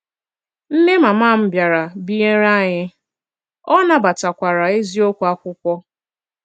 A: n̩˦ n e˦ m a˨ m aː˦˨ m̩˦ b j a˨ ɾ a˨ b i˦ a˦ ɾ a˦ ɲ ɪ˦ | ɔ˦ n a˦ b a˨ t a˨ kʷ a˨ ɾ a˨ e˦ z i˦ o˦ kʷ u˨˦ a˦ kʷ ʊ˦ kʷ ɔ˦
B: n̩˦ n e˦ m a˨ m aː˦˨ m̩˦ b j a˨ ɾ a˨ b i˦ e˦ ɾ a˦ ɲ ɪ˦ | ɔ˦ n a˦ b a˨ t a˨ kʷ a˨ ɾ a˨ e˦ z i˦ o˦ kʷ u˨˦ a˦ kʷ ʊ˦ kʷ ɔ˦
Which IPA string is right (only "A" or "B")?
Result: B